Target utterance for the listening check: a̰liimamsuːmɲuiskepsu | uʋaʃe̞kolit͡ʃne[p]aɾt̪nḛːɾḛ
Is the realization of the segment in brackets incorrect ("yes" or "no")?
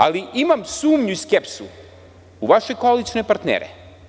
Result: no